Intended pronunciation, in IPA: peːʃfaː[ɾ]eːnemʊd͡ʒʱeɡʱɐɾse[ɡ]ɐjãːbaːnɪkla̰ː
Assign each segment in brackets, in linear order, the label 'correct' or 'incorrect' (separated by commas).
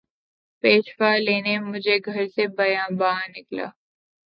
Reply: incorrect, incorrect